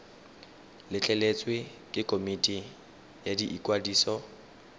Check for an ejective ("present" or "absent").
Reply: present